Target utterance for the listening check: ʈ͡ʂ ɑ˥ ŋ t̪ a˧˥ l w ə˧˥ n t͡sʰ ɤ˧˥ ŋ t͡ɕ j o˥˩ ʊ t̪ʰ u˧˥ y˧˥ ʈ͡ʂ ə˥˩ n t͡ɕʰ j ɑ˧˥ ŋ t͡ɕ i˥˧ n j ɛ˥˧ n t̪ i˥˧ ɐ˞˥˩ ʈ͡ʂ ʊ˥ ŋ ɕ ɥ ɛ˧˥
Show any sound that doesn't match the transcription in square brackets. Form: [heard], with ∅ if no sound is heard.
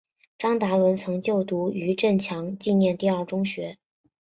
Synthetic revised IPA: ʈ͡ʂ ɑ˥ ŋ t̪ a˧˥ l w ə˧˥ n t͡sʰ ɤ˧˥ ŋ t͡ɕ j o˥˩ ʊ [t̪] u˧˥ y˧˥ ʈ͡ʂ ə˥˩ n t͡ɕʰ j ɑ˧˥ ŋ t͡ɕ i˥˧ n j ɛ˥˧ n t̪ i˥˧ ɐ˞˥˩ ʈ͡ʂ ʊ˥ ŋ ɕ ɥ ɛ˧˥